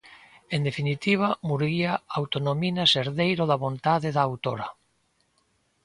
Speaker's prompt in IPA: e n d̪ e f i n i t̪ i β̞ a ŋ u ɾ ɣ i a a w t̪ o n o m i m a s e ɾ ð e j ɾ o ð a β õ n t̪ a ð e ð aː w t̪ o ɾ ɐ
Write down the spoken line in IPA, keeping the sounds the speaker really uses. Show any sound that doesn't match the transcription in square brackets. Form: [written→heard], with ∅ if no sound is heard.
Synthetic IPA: e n d̪ e f i n i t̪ i β̞ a [ŋ→m] u ɾ ɣ i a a w t̪ o n o m i [m→n] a s e ɾ ð e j ɾ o ð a β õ n t̪ a ð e ð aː w t̪ o ɾ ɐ